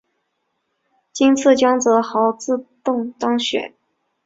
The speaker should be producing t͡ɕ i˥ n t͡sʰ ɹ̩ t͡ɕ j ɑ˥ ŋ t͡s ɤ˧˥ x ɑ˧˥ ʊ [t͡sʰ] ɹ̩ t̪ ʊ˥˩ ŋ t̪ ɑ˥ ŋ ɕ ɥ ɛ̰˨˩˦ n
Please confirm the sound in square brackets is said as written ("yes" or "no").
no